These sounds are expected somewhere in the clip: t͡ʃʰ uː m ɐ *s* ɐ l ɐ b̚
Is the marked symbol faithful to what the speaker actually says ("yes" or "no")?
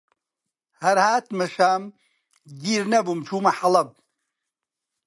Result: no